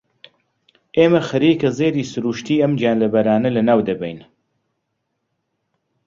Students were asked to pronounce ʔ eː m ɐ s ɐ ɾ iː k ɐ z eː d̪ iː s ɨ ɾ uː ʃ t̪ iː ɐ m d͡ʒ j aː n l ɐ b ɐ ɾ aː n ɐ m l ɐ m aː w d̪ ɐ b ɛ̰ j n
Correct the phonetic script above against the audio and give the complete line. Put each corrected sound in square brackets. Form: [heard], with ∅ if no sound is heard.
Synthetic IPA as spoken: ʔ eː m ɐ [x] ɐ ɾ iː k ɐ z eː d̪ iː s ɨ ɾ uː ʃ t̪ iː ɐ m d͡ʒ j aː n l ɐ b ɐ ɾ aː n ɐ [∅] l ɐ [n] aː w d̪ ɐ b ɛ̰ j n